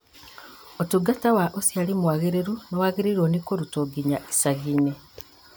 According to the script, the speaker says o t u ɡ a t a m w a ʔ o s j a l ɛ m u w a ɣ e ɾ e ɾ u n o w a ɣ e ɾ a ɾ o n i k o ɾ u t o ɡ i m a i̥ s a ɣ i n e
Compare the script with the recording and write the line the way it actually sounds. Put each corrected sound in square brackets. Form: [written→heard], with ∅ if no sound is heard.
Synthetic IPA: o t u ɡ a t a [m→∅] w a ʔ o s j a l [ɛ→i] m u w a ɣ e ɾ e ɾ u n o w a ɣ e ɾ [a→i] ɾ o n i k o ɾ u t o ɡ i [m→ɲ] a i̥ s a ɣ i n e